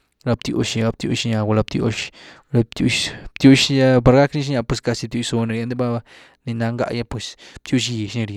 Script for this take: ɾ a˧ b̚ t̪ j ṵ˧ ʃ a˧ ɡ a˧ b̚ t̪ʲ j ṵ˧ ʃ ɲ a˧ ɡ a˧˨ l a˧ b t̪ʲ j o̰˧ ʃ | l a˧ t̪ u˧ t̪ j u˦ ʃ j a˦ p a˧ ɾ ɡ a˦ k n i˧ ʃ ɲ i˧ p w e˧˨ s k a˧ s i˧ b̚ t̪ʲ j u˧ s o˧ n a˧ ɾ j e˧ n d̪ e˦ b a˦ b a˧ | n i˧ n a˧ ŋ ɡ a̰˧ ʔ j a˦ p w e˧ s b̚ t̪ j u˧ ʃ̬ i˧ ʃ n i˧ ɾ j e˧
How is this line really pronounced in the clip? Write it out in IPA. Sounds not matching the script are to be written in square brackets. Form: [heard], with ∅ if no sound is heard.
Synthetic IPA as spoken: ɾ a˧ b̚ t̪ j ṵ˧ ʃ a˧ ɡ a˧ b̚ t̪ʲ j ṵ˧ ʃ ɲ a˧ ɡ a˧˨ l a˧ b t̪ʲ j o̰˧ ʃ | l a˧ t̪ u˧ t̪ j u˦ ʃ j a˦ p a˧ ɾ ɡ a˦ k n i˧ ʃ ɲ [a˧] p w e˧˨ s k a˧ s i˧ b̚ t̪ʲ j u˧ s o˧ n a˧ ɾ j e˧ n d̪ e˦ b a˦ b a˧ | n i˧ n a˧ ŋ ɡ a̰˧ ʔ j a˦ p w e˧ s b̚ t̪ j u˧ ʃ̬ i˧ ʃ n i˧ ɾ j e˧